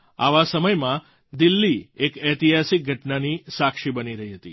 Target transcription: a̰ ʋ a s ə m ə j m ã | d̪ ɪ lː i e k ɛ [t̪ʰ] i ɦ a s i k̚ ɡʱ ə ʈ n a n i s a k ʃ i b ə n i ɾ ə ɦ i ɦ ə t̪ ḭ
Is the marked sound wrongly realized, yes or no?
yes